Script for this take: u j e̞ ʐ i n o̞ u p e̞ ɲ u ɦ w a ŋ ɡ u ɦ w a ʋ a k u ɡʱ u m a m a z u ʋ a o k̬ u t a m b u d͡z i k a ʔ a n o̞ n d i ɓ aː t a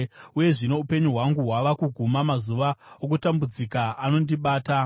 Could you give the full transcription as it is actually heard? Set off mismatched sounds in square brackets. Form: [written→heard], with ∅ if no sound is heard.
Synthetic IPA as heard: u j e̞ ʐ i n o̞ u p e̞ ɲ u ɦ w a ŋ ɡ u ɦ w a ʋ a k u ɡʱ u m a m a z u ʋ a o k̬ u t a m b u d͡z i k a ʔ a n o̞ n d i ɓ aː t a